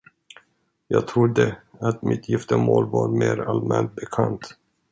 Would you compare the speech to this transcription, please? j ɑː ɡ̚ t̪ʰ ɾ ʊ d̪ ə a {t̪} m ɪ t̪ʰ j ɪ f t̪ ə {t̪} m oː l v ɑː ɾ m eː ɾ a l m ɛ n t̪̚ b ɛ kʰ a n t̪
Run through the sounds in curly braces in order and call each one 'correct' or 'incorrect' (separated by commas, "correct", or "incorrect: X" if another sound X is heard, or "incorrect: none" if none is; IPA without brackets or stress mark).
correct, incorrect: none